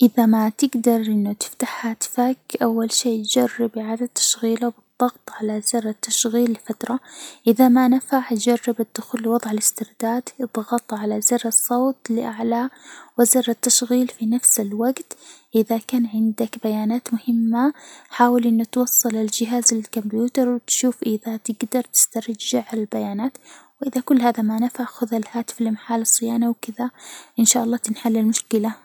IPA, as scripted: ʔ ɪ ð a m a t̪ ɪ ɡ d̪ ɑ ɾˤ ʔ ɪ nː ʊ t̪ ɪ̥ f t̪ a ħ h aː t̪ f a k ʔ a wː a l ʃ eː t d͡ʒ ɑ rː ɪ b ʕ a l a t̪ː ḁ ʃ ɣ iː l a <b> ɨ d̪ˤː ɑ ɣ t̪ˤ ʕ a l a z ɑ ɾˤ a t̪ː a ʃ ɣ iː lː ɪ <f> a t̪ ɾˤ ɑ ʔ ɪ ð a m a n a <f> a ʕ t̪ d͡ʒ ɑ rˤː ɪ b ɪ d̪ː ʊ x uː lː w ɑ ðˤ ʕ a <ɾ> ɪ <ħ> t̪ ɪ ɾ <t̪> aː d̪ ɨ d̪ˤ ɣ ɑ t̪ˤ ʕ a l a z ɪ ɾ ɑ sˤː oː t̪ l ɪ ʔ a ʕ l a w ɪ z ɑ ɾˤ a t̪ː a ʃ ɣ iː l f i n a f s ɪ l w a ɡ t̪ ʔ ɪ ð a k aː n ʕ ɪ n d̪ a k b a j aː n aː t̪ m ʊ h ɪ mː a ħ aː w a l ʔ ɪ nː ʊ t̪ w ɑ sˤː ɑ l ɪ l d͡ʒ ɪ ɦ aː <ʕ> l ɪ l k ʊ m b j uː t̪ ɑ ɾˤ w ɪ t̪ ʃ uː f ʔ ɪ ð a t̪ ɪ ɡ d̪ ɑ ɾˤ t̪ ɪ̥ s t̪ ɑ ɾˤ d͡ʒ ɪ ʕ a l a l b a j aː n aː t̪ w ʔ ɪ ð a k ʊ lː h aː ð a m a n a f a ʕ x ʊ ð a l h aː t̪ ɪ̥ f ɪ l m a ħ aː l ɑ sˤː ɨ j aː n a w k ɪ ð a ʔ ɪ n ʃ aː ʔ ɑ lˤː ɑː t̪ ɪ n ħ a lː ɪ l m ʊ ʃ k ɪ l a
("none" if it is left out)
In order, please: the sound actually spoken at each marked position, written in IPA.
b, f, f, l, s, d̪, z

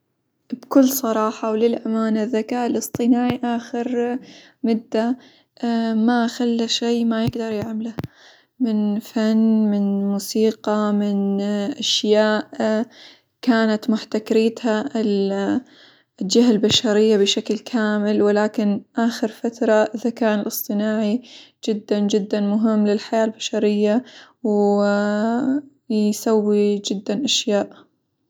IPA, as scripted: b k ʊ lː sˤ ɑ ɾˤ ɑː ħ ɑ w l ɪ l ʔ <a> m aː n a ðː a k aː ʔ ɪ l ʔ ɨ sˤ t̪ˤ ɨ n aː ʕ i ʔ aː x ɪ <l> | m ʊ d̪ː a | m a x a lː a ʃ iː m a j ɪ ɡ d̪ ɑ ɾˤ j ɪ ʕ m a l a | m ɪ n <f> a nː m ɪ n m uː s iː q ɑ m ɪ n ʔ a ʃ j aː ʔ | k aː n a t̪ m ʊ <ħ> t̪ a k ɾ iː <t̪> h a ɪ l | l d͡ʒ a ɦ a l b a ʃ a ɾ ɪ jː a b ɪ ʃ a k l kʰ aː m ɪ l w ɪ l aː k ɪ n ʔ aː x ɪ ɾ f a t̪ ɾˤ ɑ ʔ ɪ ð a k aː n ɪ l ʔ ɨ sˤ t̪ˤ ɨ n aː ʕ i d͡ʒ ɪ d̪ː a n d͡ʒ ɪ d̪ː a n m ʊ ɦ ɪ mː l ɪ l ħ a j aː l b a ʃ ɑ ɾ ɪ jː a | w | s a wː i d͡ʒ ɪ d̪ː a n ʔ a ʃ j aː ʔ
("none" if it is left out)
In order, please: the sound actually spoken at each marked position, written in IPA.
a, ɾ, f, ħ, t̪

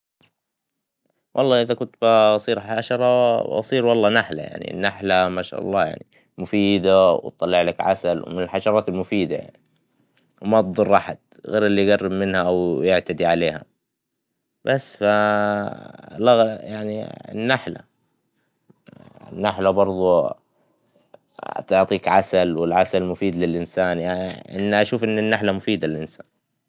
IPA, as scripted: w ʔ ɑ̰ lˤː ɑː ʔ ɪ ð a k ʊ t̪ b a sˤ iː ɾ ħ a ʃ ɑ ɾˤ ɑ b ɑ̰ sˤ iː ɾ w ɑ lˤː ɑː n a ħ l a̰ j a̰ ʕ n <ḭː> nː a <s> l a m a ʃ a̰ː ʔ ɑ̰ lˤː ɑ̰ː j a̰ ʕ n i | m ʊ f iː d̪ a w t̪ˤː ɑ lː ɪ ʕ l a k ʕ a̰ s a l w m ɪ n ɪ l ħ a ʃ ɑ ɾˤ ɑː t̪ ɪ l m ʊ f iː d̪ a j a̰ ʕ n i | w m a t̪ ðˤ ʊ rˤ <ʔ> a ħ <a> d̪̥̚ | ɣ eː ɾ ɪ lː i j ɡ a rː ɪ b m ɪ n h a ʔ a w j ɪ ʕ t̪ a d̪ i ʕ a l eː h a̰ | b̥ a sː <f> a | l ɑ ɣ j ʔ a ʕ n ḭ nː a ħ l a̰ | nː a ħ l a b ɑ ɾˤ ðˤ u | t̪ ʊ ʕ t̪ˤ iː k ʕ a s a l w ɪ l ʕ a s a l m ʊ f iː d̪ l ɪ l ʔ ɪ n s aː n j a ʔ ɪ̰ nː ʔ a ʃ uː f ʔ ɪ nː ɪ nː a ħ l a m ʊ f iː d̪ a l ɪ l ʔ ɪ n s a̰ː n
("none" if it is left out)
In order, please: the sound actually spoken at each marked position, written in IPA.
ḭ, ħ, ʔ, a, f

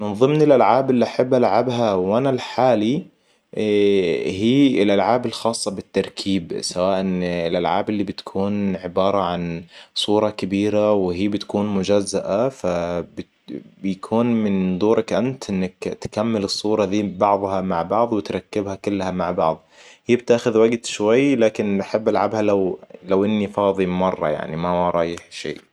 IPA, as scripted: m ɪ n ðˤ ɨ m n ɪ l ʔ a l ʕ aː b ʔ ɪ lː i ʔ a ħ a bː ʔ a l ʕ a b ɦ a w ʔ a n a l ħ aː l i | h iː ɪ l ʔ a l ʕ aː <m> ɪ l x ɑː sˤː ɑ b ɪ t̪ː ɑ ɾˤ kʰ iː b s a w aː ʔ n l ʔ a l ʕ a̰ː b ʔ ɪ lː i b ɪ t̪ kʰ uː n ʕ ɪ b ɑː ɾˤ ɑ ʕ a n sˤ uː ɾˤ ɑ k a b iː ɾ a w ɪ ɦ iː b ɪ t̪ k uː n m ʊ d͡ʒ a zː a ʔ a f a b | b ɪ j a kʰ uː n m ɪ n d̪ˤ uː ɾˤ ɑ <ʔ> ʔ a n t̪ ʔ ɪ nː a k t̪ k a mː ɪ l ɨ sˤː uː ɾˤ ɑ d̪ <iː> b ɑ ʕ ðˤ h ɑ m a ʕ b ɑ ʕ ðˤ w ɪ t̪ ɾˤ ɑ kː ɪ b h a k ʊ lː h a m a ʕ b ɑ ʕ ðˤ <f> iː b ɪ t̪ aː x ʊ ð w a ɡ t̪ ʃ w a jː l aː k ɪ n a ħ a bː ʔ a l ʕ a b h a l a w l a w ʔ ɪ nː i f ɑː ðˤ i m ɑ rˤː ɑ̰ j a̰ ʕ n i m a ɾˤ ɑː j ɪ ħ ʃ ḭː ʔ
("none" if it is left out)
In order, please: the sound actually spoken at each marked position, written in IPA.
b, k, iː, h

